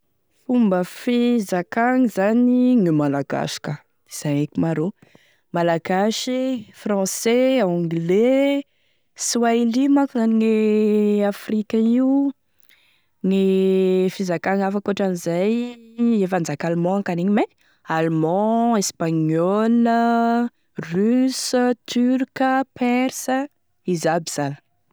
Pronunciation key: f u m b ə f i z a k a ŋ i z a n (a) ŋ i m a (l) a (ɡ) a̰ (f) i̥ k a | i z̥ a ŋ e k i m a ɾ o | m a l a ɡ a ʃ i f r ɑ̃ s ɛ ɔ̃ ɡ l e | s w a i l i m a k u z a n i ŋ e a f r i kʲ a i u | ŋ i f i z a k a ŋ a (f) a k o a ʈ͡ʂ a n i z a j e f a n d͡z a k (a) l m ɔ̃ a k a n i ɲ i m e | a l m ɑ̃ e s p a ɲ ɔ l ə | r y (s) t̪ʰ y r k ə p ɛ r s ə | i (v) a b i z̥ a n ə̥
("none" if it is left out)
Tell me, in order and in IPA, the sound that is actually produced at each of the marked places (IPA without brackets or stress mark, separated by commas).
i, l, ɡ, ʃ, f, a, s, z